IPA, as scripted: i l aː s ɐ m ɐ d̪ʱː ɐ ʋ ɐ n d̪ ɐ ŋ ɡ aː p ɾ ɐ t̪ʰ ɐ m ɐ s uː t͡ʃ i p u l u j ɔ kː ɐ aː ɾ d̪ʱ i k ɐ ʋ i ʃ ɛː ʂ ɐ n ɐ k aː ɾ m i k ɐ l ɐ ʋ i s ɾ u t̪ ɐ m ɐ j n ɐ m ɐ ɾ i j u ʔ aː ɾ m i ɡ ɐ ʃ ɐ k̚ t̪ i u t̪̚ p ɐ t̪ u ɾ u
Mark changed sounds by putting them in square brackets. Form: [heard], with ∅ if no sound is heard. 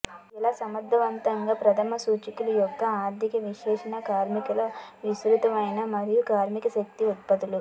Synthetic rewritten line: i l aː s ɐ m ɐ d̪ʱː ɐ ʋ ɐ n [t̪] ɐ ŋ ɡ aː p ɾ ɐ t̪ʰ ɐ m ɐ s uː t͡ʃ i [k] u l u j ɔ kː ɐ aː ɾ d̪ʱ i k ɐ ʋ i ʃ ɛː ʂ ɐ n ɐ k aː ɾ m i k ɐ l ɐ ʋ i s ɾ u t̪ ɐ m ɐ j n ɐ m ɐ ɾ i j u [k] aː ɾ m i [k] ɐ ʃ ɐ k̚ t̪ i u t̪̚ p ɐ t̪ u [l] u